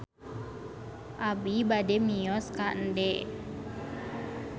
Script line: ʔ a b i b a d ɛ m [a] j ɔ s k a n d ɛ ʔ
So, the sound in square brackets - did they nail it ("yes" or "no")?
no